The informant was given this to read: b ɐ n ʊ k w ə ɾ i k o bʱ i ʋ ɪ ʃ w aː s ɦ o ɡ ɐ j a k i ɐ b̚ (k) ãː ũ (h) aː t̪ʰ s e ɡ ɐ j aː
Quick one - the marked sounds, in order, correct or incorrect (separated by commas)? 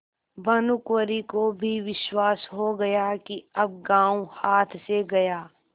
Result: incorrect, correct